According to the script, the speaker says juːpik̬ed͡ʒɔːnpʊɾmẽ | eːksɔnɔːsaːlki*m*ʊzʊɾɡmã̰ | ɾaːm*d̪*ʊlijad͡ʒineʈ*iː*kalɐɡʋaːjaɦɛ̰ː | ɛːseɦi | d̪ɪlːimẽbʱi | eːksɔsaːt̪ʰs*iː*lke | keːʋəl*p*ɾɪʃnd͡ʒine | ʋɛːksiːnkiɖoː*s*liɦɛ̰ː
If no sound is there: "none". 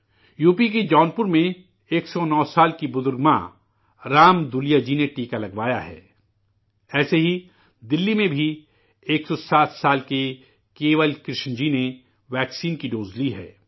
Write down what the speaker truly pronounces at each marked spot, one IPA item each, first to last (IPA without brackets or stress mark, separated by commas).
b, d̪, iː, aː, k, z